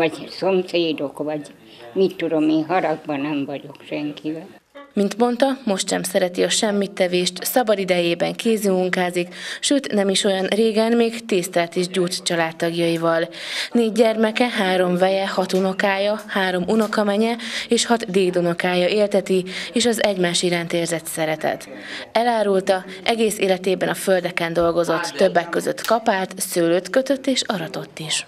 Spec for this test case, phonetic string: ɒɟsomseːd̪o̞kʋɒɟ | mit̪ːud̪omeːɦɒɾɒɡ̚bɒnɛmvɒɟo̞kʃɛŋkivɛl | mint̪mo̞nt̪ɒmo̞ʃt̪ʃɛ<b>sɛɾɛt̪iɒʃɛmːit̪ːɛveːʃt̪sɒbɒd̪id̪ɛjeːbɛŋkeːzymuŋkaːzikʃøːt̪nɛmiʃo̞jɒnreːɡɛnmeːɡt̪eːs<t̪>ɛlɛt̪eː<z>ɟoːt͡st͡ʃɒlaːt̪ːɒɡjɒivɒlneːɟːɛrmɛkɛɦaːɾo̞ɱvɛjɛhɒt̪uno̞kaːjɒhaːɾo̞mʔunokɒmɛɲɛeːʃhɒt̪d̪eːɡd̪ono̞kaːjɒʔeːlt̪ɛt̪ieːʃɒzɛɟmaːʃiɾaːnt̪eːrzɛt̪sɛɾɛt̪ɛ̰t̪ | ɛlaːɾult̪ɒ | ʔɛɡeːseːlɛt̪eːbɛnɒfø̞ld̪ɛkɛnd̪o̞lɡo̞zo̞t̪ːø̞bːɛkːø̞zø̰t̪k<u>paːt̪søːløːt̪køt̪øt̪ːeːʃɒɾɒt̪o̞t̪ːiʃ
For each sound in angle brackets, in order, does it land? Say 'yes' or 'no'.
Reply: no, yes, no, no

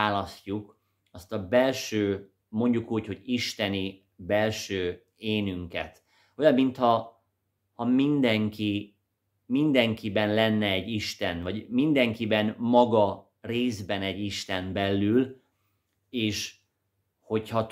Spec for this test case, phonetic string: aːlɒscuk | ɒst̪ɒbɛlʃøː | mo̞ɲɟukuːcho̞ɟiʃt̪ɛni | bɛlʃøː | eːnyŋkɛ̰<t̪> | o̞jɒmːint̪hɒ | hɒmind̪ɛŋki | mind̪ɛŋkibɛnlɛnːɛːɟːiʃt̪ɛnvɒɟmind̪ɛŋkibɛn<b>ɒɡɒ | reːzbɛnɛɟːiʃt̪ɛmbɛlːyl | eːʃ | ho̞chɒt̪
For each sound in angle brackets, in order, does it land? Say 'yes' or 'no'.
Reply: yes, no

